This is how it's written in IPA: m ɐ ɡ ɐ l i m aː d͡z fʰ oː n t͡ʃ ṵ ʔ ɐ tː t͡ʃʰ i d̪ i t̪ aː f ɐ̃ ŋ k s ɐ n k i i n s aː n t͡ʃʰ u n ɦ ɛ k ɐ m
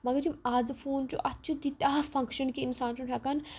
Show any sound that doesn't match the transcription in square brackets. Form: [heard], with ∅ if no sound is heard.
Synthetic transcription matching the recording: m ɐ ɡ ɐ [ɾ] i m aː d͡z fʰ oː n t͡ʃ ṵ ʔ ɐ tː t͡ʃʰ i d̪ i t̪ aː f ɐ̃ ŋ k [ʃ] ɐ n k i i n s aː n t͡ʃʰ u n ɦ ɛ k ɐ [n]